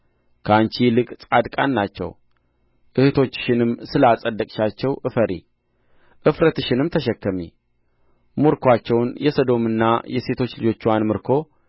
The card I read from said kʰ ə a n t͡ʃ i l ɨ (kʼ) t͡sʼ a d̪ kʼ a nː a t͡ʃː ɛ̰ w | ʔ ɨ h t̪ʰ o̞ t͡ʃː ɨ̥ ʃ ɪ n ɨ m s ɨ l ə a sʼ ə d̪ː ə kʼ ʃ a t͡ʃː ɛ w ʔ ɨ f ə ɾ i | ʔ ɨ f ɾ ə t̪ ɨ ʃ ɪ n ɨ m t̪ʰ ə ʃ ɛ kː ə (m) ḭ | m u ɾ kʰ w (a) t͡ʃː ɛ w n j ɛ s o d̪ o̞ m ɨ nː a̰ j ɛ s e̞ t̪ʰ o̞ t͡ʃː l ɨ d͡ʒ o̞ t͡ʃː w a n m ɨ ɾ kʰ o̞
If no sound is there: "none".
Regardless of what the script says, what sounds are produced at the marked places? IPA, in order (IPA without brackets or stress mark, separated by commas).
kʼ, m, a